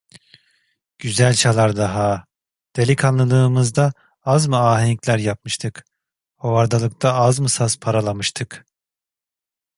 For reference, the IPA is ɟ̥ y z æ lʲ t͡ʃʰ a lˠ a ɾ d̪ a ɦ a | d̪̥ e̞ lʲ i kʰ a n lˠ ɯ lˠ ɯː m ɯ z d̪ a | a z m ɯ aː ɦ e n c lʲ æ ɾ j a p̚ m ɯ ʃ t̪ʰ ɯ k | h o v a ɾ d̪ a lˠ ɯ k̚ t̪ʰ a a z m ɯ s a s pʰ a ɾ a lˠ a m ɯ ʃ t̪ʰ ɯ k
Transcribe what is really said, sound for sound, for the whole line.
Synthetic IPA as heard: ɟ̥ y z æ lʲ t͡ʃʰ a lˠ a ɾ d̪ a ɦ a | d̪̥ e̞ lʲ i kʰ a n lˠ ɯ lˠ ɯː m ɯ z d̪ a | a z m ɯ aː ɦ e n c lʲ æ ɾ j a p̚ m ɯ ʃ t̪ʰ ɯ k | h o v a ɾ d̪ a lˠ ɯ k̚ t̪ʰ a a z m ɯ s a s pʰ a ɾ a lˠ a m ɯ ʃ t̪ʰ ɯ k